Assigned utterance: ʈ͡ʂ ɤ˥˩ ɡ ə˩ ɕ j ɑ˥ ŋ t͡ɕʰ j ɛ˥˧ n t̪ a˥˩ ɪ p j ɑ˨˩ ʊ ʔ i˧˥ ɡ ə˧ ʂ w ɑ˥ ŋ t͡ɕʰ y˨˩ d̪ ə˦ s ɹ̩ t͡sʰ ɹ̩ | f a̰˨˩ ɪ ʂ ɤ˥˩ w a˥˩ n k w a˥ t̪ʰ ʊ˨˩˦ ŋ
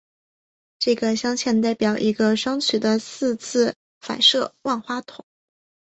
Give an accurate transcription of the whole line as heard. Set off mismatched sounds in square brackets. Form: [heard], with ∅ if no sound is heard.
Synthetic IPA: ʈ͡ʂ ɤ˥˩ ɡ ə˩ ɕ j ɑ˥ ŋ t͡ɕʰ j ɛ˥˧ n t̪ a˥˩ ɪ p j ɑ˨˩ ʊ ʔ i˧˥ ɡ ə˧ ʂ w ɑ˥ ŋ t͡ɕʰ y˨˩ d̪ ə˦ s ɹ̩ t͡sʰ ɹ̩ | f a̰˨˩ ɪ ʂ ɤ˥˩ w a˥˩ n [x] w a˥ t̪ʰ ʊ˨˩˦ ŋ

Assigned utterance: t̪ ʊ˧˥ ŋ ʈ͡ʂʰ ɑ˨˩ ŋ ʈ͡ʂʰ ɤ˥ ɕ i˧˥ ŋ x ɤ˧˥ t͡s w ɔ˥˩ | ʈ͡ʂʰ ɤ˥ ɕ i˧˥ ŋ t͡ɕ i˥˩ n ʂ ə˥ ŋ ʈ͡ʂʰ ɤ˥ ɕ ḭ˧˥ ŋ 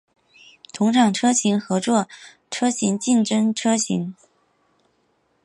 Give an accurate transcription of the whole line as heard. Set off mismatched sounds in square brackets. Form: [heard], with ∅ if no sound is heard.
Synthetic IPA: [t̪ʰ] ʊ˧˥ ŋ ʈ͡ʂʰ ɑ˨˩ ŋ ʈ͡ʂʰ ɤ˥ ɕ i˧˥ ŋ x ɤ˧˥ t͡s w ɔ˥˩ | ʈ͡ʂʰ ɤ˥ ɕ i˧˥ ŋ t͡ɕ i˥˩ n [ʈ͡ʂ] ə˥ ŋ ʈ͡ʂʰ ɤ˥ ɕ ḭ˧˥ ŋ

